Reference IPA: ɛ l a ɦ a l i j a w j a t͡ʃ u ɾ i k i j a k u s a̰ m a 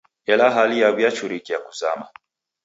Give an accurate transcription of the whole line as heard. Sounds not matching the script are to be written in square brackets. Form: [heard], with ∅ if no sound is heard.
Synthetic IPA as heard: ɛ l a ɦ a l i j a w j a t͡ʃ u ɾ i k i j a k u [z] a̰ m a